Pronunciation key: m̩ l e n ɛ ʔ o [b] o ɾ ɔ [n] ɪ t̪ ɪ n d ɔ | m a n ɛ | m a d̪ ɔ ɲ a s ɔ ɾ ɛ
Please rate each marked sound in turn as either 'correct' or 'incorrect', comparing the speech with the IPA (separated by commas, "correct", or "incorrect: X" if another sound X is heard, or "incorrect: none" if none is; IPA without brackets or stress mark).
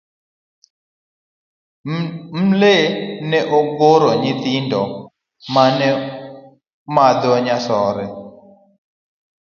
incorrect: ɡ, incorrect: ɲ